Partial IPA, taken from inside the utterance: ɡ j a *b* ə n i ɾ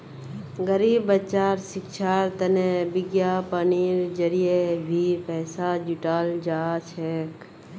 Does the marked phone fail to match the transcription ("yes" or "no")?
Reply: yes